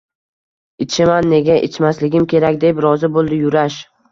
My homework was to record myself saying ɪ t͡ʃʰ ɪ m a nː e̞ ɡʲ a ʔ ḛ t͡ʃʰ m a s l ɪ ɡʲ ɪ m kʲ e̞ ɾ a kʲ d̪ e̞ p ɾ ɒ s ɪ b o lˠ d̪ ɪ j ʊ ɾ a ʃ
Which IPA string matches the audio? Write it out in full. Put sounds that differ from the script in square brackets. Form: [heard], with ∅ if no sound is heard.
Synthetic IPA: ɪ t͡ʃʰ ɪ m a nː e̞ ɡʲ a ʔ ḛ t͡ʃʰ m a s l ɪ ɡʲ ɪ m kʲ e̞ ɾ a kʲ d̪ e̞ p ɾ ɒ [z] ɪ b o lˠ d̪ ɪ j ʊ ɾ a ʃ